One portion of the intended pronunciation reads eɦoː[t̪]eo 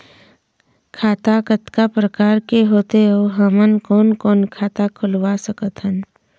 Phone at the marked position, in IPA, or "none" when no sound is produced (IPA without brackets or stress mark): t̪